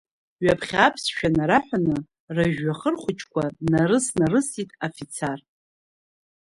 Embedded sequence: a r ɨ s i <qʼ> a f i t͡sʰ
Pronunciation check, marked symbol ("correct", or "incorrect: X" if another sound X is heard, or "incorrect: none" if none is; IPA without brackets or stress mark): incorrect: tʼ